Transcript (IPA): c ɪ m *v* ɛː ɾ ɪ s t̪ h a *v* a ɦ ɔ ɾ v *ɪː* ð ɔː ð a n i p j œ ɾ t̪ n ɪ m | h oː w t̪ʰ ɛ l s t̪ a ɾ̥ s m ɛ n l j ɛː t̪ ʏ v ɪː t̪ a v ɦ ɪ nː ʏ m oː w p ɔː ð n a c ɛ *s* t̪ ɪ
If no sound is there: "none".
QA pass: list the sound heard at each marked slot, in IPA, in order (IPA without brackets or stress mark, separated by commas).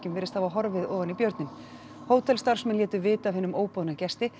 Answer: v, v, ɪ, s